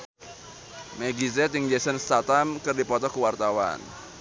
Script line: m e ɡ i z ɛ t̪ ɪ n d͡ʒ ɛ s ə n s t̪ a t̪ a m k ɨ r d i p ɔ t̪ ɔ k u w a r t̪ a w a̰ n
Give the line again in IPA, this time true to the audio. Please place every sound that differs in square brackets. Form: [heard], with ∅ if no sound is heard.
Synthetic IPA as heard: m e ɡ i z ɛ t̪ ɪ [ŋ] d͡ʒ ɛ s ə n s t̪ a t̪ a m k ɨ r d i p ɔ t̪ ɔ k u w a r t̪ a w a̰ n